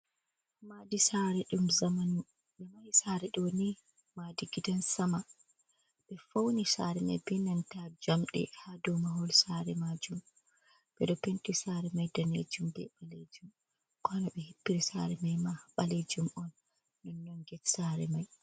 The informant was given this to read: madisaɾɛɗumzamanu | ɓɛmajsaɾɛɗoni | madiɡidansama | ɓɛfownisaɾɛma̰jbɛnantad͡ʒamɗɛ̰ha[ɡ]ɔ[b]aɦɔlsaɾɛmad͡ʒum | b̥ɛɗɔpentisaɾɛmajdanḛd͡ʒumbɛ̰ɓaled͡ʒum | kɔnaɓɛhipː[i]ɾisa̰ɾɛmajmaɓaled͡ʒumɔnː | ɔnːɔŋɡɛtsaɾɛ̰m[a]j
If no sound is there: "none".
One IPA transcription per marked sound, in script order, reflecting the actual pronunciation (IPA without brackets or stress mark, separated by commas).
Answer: d, m, i, a